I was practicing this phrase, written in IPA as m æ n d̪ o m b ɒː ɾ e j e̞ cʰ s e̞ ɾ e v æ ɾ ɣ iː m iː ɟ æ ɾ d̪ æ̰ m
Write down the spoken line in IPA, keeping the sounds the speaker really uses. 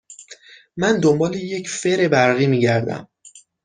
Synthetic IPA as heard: m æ n d̪ o m b ɒː l e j e̞ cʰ f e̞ ɾ e b æ ɾ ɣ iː m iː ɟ æ ɾ d̪ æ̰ m